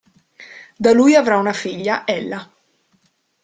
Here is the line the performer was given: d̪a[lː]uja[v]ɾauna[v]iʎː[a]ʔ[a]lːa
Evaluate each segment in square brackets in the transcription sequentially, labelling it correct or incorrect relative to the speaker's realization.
incorrect: l, correct, incorrect: f, correct, incorrect: ɛ

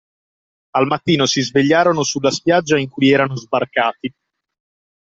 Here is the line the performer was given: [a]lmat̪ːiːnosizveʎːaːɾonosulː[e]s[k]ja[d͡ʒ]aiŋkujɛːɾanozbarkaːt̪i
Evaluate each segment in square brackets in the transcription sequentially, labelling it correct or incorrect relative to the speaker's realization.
correct, incorrect: a, incorrect: p, incorrect: d͡ʒː

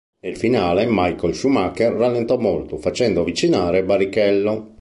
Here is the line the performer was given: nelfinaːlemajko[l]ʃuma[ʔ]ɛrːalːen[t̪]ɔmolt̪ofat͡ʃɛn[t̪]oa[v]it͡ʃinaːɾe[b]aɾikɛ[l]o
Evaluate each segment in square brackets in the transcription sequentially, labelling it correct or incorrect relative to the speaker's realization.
correct, incorrect: k, correct, incorrect: d̪, correct, correct, incorrect: lː

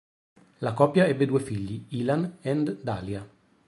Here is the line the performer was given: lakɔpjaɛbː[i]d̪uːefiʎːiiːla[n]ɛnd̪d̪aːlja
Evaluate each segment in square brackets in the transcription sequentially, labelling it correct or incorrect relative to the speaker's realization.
incorrect: e, correct

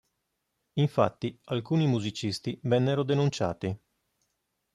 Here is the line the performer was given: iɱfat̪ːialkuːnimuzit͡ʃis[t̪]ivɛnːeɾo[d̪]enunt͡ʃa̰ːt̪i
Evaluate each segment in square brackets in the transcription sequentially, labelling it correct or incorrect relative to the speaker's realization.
correct, correct

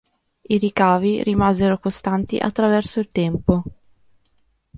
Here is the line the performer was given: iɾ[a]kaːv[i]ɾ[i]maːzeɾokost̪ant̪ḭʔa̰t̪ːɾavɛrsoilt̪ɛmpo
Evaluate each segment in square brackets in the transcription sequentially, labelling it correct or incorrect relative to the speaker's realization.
incorrect: i, correct, correct

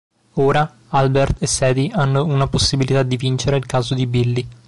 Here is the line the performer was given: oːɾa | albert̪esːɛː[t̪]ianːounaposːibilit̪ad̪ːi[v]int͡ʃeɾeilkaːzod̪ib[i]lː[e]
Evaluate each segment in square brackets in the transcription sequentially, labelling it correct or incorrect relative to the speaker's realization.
incorrect: d̪, correct, correct, incorrect: i

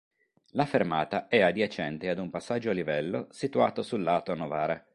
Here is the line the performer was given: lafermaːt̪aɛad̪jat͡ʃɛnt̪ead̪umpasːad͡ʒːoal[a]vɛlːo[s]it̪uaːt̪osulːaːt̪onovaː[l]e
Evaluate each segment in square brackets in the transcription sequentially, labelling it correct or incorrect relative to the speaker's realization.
incorrect: i, correct, incorrect: ɾ

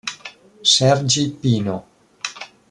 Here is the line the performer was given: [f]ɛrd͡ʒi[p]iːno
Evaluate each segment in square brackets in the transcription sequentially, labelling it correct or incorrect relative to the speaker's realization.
incorrect: s, correct

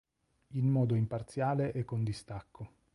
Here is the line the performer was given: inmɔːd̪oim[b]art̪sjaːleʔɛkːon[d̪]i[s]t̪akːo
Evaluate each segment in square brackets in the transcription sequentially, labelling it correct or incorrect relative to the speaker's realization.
incorrect: p, correct, correct

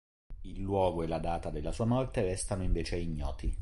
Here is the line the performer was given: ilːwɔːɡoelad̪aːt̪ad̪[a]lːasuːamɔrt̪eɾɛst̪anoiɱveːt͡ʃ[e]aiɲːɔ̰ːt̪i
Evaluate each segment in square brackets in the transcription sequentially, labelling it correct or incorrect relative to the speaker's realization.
incorrect: e, correct

